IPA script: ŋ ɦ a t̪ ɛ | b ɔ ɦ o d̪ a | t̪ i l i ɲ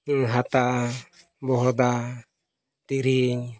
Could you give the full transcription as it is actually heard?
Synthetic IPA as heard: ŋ ɦ a t̪ a | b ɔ ɦ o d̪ a | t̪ i ɾ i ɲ